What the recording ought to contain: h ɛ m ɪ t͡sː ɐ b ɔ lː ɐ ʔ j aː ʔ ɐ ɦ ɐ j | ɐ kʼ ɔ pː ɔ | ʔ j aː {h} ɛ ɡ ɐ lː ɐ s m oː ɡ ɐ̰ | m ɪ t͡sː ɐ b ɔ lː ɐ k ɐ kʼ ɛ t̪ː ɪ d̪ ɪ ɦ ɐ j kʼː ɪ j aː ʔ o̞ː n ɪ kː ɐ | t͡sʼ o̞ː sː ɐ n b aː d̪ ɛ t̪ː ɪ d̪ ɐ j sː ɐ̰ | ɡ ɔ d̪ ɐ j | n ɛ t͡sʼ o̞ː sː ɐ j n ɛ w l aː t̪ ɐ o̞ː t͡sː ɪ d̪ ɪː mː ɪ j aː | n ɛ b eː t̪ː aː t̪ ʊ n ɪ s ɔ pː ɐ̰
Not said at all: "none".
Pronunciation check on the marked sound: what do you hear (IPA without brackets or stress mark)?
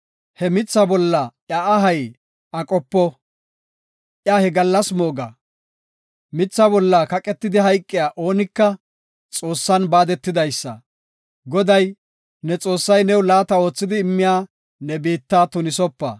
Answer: h